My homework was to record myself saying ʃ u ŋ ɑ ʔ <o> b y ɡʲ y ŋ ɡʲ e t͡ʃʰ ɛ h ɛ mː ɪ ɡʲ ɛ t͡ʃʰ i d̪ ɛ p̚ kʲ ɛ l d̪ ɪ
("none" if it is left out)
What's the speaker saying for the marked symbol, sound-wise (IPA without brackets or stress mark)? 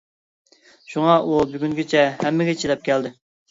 u